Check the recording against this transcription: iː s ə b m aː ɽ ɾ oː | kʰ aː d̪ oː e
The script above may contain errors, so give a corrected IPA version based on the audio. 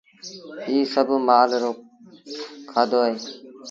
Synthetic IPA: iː s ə b m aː l ɾ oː | kʰ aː d̪ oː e